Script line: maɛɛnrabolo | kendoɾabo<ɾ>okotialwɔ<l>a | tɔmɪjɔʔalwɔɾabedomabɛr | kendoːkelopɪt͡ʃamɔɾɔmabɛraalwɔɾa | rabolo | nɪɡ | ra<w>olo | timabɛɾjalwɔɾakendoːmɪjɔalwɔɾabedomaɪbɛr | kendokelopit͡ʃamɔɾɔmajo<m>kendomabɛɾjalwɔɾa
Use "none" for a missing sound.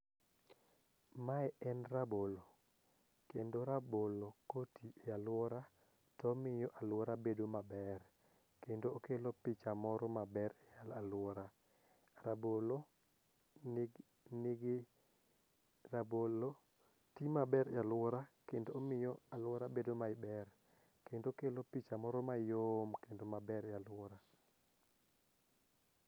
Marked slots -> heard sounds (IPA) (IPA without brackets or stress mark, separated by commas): l, ɾ, b, m